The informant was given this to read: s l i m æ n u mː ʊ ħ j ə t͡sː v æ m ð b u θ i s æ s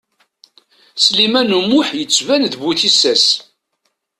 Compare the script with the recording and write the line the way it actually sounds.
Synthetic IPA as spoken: s l i m æ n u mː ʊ ħ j ə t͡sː v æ n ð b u θ i s æ s